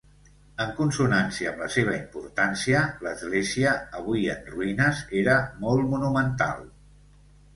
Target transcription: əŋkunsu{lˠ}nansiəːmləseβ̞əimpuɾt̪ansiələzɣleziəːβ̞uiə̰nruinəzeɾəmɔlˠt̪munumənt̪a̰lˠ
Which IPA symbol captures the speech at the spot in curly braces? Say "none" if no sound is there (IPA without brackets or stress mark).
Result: none